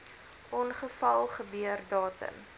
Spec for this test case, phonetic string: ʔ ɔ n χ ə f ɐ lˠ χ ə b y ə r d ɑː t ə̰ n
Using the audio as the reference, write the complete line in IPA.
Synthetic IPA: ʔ ɔ n χ ə f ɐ lˠ χ ə b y ə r d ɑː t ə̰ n